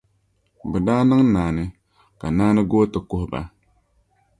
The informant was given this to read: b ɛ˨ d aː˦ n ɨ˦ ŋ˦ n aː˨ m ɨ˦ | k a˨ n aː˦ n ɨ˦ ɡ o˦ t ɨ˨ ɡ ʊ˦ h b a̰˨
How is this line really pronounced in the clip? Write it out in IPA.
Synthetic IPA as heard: b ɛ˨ d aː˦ n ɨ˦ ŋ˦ n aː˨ n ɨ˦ | k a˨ n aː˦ n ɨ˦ ɡ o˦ t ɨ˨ k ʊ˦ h b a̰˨